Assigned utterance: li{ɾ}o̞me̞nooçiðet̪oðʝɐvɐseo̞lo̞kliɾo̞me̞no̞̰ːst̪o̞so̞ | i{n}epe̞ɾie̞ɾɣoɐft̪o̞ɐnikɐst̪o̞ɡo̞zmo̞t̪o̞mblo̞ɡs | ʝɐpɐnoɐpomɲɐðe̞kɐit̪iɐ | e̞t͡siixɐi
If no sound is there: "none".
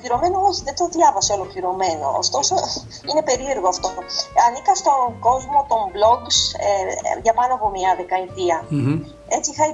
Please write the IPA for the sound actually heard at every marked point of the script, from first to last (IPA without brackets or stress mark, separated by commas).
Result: ɾ, n